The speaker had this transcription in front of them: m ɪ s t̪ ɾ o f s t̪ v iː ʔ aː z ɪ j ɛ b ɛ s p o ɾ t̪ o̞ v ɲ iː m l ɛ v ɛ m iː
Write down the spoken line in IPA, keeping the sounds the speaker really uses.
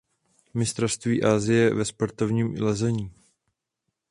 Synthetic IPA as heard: m ɪ s t̪ ɾ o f s t̪ v iː ʔ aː z ɪ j ɛ v ɛ s p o ɾ t̪ o̞ v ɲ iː m l ɛ z ɛ ɲ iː

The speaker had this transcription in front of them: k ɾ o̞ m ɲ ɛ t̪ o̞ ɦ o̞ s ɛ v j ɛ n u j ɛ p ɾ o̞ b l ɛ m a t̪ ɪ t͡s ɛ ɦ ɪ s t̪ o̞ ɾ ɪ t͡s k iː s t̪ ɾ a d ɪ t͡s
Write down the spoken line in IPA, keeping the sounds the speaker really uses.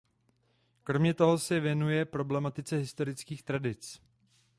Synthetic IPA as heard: k ɾ o̞ m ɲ ɛ t̪ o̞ ɦ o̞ s ɛ v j ɛ n u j ɛ p ɾ o̞ b l ɛ m a t̪ ɪ t͡s ɛ ɦ ɪ s t̪ o̞ ɾ ɪ t͡s k iː x t̪ ɾ a d ɪ t͡s

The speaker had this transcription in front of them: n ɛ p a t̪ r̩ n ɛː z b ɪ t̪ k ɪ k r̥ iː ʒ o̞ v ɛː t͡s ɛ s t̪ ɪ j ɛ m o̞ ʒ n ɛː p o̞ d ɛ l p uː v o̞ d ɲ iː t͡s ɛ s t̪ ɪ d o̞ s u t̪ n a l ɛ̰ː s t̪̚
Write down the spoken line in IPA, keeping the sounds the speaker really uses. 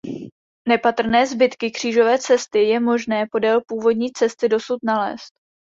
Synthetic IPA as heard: n ɛ p a t̪ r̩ n ɛː z b ɪ t̪ k ɪ k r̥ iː ʒ o̞ v ɛː t͡s ɛ s t̪ ɪ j ɛ m o̞ ʒ n ɛː p o̞ d ɛ l p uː v o̞ d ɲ iː t͡s ɛ s t̪ ɪ d o̞ s u t̪ n a l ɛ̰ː s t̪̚

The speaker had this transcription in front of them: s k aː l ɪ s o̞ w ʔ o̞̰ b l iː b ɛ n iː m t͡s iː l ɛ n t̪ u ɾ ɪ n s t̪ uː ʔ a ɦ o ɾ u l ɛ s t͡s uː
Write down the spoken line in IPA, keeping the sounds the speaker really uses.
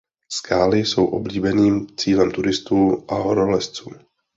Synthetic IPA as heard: s k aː l ɪ s o̞ w ʔ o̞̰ b l iː b ɛ n iː m t͡s iː l ɛ m t̪ u ɾ ɪ s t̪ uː ʔ a ɦ o ɾ o l ɛ s t͡s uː

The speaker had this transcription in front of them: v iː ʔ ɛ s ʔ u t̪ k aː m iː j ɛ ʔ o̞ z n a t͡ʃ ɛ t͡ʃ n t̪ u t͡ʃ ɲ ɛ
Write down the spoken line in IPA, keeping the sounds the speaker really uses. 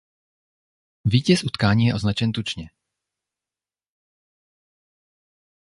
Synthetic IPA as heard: v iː c ɛ s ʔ u t̪ k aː ɲ iː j ɛ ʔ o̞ z n a t͡ʃ ɛ n t̪ u t͡ʃ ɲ ɛ

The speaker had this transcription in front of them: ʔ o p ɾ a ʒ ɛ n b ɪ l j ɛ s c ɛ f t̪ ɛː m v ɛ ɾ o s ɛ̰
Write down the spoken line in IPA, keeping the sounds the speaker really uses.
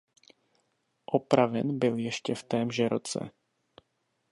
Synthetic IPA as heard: ʔ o p ɾ a v ɛ n b ɪ l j ɛ ʃ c ɛ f t̪ ɛː m ʒ ɛ ɾ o t͡s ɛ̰

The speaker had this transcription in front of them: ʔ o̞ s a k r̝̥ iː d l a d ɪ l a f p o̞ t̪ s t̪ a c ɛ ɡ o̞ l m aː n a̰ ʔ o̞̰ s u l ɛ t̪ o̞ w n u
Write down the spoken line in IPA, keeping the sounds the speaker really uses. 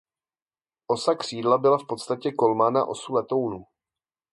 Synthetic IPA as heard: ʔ o̞ s a k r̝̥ iː d l a b ɪ l a f p o̞ t̪ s t̪ a c ɛ k o̞ l m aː n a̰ ʔ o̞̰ s u l ɛ t̪ o̞ w n u

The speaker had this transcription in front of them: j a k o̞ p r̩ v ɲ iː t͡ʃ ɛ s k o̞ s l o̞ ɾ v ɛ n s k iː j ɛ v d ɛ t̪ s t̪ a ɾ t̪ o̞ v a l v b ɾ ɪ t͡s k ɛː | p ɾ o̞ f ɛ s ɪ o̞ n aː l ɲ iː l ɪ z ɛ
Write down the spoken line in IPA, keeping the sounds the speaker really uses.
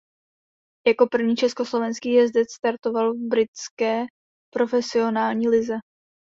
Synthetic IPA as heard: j a k o̞ p r̩ v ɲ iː t͡ʃ ɛ s k o̞ s l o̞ v ɛ n s k iː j ɛ z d ɛ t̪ s t̪ a ɾ t̪ o̞ v a l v b ɾ ɪ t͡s k ɛː | p ɾ o̞ f ɛ s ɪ o̞ n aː l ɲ iː l ɪ z ɛ

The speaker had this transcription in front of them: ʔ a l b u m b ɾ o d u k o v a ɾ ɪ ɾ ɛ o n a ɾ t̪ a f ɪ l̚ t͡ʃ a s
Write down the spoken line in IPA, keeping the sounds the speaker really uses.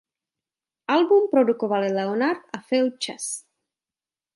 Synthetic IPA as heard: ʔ a l b u m p ɾ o d u k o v a l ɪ l ɛ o n a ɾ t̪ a f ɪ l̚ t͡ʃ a s

